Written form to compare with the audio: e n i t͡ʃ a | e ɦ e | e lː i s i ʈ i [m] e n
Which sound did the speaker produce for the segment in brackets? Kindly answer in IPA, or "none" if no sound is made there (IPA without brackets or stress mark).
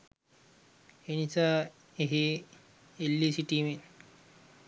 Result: m